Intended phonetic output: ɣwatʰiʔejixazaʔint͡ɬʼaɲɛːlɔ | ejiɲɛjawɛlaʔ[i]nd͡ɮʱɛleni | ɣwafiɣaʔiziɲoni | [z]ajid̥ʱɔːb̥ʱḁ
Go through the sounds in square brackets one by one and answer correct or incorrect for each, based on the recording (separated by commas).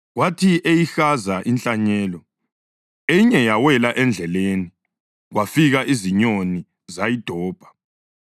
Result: incorrect, correct